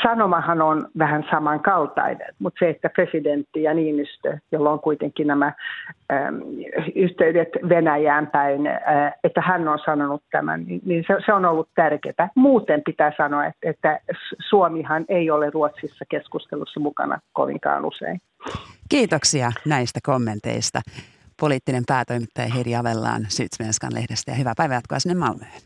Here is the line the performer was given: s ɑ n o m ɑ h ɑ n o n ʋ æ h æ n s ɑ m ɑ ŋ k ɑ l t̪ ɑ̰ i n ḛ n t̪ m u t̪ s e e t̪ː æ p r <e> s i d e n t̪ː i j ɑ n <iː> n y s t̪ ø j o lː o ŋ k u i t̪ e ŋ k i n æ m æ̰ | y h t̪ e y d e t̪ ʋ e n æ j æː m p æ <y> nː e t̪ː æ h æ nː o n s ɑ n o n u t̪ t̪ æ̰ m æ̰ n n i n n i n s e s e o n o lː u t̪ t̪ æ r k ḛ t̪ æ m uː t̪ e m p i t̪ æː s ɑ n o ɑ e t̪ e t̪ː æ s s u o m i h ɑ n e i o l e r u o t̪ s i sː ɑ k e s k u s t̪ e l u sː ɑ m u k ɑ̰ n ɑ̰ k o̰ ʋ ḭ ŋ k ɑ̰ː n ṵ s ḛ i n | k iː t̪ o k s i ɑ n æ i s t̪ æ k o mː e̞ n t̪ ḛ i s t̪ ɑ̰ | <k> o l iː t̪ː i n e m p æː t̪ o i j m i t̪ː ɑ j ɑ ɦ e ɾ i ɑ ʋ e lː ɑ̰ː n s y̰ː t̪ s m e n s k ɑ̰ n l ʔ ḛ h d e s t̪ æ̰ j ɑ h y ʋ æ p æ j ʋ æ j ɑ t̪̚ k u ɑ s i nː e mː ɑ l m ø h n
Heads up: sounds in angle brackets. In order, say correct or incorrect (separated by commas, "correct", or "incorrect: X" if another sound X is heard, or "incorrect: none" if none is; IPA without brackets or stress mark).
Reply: correct, correct, incorrect: i, incorrect: p